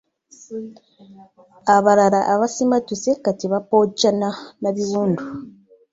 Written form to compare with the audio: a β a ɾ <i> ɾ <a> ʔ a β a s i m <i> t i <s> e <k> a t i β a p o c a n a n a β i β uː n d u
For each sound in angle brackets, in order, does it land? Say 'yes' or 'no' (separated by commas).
no, yes, no, yes, yes